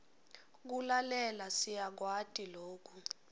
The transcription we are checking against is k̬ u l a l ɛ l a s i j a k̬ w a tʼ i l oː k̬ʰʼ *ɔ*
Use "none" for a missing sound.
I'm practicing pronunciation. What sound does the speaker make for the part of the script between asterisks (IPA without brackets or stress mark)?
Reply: u